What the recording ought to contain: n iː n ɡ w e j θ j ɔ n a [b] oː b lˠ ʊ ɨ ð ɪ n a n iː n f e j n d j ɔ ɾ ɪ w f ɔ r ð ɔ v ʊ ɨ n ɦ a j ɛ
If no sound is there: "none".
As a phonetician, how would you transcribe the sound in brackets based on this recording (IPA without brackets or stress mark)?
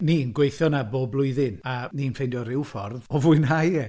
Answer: b